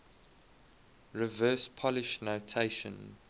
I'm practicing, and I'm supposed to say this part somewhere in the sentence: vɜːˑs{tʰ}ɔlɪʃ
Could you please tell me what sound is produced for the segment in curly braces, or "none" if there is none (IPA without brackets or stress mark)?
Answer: pʰ